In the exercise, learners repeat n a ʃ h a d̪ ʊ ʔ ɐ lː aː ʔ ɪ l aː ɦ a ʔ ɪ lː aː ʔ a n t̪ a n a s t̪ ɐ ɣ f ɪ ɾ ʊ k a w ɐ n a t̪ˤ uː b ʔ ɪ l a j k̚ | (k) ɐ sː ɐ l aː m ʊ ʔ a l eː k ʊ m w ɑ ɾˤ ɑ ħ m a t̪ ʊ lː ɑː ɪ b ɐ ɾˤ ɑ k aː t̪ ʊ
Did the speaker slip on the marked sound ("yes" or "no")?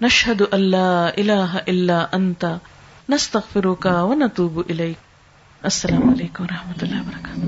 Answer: yes